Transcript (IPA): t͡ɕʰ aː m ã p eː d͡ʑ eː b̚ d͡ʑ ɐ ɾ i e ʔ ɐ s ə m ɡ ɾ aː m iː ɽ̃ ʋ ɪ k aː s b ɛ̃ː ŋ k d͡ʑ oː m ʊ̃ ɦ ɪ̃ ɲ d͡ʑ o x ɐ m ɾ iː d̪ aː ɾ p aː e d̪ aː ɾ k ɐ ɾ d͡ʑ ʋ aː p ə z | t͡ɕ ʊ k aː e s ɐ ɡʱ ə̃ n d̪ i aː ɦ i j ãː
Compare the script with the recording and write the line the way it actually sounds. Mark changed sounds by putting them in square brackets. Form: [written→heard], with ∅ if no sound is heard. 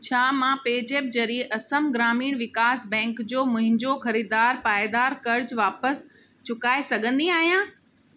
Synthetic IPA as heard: t͡ɕʰ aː m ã p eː d͡ʑ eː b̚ d͡ʑ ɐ ɾ i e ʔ ɐ s ə m ɡ ɾ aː m iː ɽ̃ ʋ ɪ k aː s b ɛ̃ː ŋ k d͡ʑ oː m ʊ̃ ɦ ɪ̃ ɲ d͡ʑ o x ɐ [m→∅] ɾ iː d̪ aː ɾ p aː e d̪ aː ɾ k ɐ ɾ d͡ʑ ʋ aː p ə [z→s] | t͡ɕ ʊ k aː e s ɐ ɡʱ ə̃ n d̪ i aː ɦ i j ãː

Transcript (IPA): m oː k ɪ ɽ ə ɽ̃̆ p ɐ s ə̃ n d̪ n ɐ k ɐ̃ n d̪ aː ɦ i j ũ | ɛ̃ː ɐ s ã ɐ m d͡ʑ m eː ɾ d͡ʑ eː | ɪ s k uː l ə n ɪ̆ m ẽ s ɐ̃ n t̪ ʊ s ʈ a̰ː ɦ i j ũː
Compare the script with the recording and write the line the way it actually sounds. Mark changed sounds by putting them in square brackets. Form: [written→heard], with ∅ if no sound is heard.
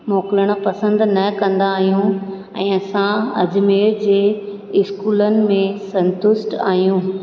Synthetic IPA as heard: m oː k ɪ [ɽ→l] ə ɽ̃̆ p ɐ s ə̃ n d̪ n ɐ k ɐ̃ n d̪ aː ɦ i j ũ | ɛ̃ː ɐ s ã ɐ [m→∅] d͡ʑ m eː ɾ d͡ʑ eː | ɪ s k uː l ə n ɪ̆ m ẽ s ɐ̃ n t̪ ʊ s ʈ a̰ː ɦ i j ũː

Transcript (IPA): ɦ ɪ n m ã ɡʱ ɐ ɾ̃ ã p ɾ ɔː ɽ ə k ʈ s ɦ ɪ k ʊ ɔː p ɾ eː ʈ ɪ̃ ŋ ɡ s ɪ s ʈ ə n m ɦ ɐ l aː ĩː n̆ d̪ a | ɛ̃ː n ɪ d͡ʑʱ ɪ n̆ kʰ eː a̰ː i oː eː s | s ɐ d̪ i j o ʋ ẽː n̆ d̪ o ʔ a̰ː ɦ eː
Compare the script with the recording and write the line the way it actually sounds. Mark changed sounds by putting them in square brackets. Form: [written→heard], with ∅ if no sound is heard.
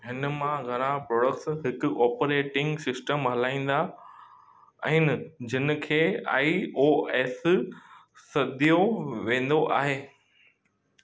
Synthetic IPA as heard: ɦ ɪ n m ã ɡʱ ɐ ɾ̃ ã p ɾ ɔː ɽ ə k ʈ s ɦ ɪ k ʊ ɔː p ɾ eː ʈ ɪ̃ ŋ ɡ s ɪ s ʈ ə [n→∅] m ɦ ɐ l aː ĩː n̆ d̪ a | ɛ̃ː n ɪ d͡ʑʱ ɪ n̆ kʰ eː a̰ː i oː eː s | s ɐ d̪ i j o ʋ ẽː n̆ d̪ o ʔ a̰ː ɦ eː

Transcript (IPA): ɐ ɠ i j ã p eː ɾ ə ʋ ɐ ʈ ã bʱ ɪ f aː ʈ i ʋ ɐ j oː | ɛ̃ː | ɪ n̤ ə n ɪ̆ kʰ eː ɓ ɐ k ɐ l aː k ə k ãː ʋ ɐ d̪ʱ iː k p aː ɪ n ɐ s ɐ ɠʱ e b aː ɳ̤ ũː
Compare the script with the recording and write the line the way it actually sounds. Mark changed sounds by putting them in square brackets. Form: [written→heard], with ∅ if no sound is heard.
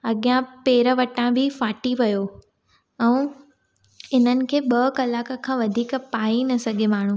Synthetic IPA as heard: ɐ ɠ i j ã p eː ɾ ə ʋ ɐ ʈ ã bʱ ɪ f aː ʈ i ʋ ɐ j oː | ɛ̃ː | ɪ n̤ ə n ɪ̆ kʰ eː ɓ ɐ k ɐ l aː k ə [k→kʰ] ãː ʋ ɐ d̪ʱ iː k p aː [ɪ→i] n ɐ s ɐ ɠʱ e [b→m] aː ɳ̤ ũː

